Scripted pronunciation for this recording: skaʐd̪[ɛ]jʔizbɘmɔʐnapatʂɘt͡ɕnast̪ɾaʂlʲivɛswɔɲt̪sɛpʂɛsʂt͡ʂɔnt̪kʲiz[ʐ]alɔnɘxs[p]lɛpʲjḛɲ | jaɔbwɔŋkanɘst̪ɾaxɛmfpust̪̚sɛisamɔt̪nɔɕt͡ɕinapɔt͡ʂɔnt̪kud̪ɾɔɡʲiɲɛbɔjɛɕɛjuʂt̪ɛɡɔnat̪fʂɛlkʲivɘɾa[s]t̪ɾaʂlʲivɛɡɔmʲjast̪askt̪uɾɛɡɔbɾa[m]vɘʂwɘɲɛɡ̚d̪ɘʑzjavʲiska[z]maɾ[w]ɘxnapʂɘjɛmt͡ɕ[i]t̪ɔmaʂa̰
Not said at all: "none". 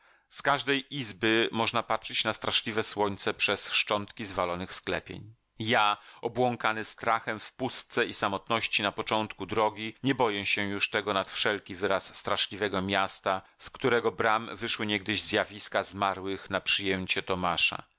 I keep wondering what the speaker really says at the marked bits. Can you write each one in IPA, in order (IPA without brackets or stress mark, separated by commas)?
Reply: ɛ, v, k, sː, m, z, w, ɛ